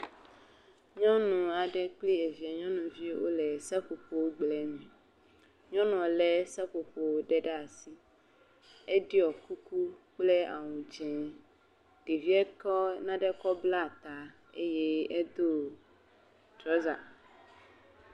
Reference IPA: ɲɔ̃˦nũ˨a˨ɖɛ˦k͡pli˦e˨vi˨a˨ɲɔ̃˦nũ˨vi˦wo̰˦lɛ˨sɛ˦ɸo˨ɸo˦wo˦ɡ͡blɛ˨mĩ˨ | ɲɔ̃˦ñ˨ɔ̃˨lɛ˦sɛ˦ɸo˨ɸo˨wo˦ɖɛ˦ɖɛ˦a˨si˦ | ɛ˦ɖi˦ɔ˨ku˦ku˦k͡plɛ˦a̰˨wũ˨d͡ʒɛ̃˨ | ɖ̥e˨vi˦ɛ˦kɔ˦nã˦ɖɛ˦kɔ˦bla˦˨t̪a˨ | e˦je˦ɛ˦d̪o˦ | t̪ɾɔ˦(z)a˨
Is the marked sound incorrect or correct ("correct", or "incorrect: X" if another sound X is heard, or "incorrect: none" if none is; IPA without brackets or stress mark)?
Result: correct